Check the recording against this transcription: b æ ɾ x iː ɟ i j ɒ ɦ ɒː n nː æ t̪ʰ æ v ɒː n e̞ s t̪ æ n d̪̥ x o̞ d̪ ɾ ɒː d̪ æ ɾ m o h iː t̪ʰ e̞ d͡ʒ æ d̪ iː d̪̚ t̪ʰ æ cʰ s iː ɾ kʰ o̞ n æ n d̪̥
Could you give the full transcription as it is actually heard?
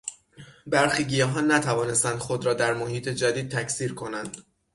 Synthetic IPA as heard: b æ ɾ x iː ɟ i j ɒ ɦ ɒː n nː æ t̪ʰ æ v ɒː n e̞ s t̪ æ n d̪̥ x o̞ d̪ ɾ ɒː d̪ æ ɾ m o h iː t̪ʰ e̞ d͡ʒ æ d̪ iː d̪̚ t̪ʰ æ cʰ s iː ɾ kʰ o̞ n æ n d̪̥